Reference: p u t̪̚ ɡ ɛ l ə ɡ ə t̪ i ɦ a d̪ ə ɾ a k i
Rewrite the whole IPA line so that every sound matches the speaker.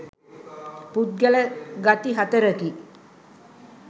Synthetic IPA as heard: p u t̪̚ ɡ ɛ l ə ɡ a t̪ i ɦ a t̪ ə ɾ ə k i